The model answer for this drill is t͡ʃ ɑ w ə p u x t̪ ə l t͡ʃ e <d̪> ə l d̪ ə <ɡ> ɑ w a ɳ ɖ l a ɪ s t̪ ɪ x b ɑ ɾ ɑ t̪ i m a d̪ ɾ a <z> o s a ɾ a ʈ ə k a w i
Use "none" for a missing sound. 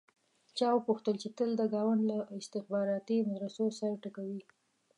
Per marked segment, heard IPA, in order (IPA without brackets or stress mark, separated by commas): t̪, ɡ, s